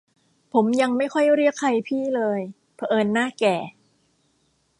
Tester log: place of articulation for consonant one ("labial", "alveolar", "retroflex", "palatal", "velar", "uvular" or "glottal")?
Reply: labial